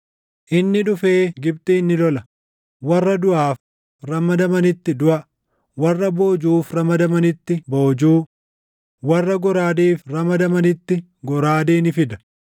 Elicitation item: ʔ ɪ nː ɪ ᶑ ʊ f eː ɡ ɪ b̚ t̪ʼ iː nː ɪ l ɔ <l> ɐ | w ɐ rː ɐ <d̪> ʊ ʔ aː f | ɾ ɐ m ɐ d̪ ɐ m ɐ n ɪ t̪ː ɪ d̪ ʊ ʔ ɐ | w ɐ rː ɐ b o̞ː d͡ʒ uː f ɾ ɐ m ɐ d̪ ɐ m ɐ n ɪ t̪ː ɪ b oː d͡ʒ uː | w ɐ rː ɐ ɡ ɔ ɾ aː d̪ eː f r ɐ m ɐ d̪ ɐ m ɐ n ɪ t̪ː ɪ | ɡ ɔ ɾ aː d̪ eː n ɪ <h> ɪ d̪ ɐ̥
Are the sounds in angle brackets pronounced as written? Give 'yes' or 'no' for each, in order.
yes, yes, no

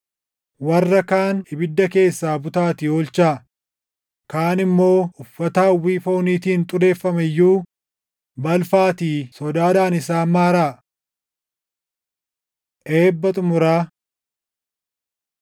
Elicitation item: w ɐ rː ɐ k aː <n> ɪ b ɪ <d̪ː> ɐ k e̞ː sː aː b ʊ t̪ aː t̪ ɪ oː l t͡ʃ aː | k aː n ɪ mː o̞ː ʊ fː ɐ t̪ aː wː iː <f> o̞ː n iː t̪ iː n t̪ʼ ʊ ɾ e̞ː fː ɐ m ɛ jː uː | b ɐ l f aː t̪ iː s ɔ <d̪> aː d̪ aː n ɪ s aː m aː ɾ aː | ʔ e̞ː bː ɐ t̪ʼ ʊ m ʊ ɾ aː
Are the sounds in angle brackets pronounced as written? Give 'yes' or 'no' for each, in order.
yes, yes, yes, yes

